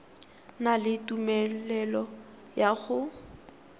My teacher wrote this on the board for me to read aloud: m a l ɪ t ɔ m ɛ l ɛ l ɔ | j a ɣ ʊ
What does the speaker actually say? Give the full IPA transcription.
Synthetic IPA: n a l ɪ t u m ɛ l ɛ l ɔ | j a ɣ ʊ